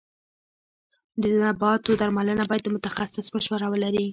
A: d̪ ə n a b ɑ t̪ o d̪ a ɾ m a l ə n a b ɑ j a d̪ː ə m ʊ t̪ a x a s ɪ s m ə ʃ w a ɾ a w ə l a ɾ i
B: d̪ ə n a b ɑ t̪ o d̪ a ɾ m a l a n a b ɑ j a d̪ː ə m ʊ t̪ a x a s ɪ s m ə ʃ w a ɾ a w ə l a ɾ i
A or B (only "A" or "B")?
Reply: A